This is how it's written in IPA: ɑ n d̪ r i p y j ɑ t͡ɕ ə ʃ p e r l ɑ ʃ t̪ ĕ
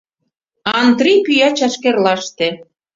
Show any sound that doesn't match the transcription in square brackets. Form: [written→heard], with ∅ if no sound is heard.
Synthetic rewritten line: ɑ n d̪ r i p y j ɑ t͡ɕ [ə→ɑ] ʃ [p→k] e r l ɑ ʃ t̪ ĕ